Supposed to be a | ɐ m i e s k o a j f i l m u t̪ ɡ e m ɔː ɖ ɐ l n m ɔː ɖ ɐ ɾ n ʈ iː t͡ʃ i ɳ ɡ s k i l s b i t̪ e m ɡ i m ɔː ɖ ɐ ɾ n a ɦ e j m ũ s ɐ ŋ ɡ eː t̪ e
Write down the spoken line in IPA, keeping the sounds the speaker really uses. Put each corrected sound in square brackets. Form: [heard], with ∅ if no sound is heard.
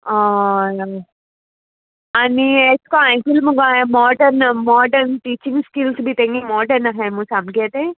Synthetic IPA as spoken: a | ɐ [n] i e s k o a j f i l m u [∅] ɡ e m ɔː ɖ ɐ [ɾ] n m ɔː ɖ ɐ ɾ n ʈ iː t͡ʃ i [ŋ] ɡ s k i l s b i t̪ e [ŋ] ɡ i m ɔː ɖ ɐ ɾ n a ɦ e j m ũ s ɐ [m] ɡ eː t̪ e

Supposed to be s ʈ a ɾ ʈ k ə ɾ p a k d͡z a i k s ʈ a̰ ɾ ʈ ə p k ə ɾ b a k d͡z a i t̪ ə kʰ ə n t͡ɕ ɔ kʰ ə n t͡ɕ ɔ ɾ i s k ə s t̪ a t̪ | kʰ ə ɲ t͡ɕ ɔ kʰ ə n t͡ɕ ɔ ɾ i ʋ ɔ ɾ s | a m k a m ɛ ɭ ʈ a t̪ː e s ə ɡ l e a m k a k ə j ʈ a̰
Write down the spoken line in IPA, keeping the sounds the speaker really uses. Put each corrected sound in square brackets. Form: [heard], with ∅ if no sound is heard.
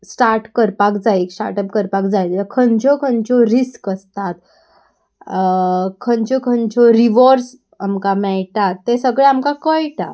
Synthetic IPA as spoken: s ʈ a ɾ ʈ k ə ɾ p a k d͡z a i k s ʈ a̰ ɾ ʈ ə p k ə ɾ [p] a k d͡z a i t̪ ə kʰ ə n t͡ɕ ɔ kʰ ə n t͡ɕ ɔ ɾ i s k ə s t̪ a t̪ | kʰ ə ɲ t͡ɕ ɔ kʰ ə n t͡ɕ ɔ ɾ i ʋ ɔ ɾ s | a m k a m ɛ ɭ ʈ a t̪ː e s ə ɡ [ɭ] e a m k a k ə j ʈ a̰

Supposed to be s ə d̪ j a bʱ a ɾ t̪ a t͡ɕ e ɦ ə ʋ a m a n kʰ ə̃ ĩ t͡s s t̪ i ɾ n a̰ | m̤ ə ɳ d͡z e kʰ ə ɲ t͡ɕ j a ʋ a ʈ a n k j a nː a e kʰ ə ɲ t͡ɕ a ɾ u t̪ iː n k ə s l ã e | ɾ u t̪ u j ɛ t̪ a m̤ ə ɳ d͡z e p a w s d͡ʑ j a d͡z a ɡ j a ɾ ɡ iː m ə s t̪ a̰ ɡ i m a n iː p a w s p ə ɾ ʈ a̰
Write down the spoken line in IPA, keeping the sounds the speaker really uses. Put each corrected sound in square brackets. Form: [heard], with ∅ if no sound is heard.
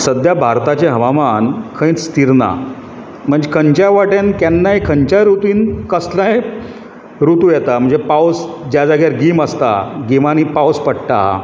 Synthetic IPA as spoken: s ə d̪ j a bʱ a ɾ t̪ a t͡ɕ e ɦ ə ʋ a m a n kʰ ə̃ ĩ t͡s s t̪ i ɾ n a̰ | m̤ ə ɳ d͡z e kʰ ə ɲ t͡ɕ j a ʋ a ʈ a n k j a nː a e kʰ ə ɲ t͡ɕ a ɾ u t̪ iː n k ə s l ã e | ɾ u t̪ u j ɛ t̪ a m̤ ə ɳ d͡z e p a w s d͡ʑ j a d͡z a ɡ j a ɾ ɡ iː m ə s t̪ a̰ ɡ i m a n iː p a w s p ə [ɽ] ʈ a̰

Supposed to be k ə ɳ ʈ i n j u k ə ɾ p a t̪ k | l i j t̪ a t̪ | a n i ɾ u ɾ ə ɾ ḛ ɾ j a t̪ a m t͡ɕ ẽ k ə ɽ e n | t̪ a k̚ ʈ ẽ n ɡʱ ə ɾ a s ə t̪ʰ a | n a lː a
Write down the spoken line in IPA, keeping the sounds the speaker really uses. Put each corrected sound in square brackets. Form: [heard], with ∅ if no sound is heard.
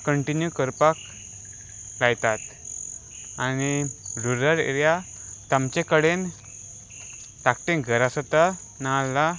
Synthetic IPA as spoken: k ə ɳ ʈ i n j u k ə ɾ p a [∅] k | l [a] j t̪ a t̪ | a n i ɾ u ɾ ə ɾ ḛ ɾ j a t̪ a m t͡ɕ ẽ k ə ɽ e n | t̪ a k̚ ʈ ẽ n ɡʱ ə ɾ a s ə [t̪] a | n a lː a

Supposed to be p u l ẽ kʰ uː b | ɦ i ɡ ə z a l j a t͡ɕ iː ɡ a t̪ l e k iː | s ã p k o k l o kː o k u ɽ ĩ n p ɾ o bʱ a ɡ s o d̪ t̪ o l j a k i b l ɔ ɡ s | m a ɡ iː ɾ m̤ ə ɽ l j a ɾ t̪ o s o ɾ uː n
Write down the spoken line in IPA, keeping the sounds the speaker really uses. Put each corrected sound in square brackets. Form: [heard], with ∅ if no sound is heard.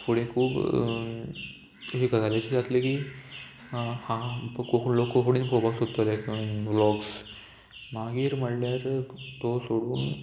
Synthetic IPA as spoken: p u [ɽ] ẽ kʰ uː b | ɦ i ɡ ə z a l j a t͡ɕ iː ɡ a t̪ l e k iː | [h] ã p k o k l o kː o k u ɽ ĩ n p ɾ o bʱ a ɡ s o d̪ t̪ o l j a k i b l ɔ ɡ s | m a ɡ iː ɾ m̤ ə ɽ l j a ɾ t̪ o s o [ɽ] uː n

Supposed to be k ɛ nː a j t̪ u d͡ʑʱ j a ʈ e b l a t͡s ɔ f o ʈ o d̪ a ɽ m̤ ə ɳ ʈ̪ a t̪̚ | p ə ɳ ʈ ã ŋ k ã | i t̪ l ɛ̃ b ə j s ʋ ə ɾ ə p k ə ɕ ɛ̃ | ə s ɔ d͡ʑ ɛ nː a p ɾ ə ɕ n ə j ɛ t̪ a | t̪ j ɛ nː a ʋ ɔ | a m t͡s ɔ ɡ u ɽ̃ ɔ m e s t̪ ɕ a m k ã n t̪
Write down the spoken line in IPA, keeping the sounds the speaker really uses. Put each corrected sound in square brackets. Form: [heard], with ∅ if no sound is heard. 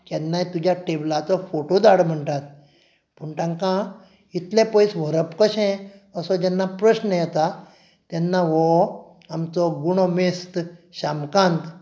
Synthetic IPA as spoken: k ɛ nː a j t̪ u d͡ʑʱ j a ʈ e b l a t͡s ɔ f o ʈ o d̪ a ɽ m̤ ə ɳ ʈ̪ a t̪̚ | p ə ɳ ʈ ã ŋ k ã | i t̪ l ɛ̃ [p] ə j s ʋ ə ɾ ə p k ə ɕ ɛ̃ | ə s ɔ d͡ʑ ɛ nː a p ɾ ə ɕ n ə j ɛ t̪ a | t̪ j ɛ nː a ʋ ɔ | a m t͡s ɔ ɡ u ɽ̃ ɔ m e s t̪ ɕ a m k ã n t̪

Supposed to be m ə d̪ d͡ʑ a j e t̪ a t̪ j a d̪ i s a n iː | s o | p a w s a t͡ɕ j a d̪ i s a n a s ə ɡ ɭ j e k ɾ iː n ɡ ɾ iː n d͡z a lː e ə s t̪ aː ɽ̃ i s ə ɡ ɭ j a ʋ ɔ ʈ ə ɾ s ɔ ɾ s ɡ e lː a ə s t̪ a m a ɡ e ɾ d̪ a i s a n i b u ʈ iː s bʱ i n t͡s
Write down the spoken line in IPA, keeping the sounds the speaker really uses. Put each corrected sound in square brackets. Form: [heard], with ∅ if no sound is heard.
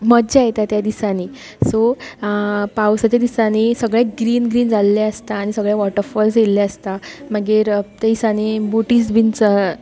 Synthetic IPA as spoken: m ə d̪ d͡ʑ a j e t̪ a t̪ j a d̪ i s a n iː | s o | p a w s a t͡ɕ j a d̪ i s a n [i] s ə ɡ ɭ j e [ɡ] ɾ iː n ɡ ɾ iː n d͡z a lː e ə s t̪ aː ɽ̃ i s ə ɡ ɭ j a ʋ ɔ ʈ ə ɾ [f] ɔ [l] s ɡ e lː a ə s t̪ a m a ɡ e ɾ [t̪] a i s a n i b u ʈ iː s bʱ i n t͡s

